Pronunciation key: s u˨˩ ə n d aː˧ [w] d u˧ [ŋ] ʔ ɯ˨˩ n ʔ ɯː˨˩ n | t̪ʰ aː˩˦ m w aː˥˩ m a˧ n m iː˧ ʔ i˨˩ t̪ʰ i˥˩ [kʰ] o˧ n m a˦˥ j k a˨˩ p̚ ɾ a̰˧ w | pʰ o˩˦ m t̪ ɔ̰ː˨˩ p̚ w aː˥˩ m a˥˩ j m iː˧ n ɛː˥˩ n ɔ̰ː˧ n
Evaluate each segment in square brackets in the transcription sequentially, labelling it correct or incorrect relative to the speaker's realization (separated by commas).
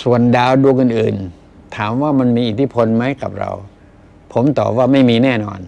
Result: correct, correct, incorrect